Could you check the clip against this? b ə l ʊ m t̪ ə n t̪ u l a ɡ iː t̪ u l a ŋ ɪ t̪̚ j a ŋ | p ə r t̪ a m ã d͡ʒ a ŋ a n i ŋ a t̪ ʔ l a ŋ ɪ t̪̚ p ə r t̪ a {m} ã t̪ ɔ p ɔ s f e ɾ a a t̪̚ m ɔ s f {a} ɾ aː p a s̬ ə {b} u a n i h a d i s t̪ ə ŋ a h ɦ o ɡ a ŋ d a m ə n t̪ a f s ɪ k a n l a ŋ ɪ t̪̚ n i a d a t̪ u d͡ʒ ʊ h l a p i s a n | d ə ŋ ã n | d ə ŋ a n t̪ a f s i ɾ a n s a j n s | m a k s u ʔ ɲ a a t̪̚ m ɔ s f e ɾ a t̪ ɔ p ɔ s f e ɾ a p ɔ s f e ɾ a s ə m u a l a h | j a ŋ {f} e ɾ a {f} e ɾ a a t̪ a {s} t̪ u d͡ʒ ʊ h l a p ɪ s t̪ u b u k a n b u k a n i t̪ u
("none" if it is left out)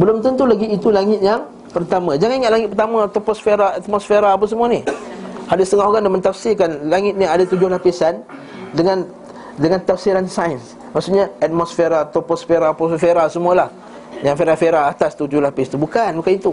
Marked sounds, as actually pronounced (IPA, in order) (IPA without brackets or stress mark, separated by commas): m, e, m, f, f, s